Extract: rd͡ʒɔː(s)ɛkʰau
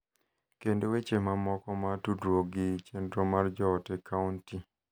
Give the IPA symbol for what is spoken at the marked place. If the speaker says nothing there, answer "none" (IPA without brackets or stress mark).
t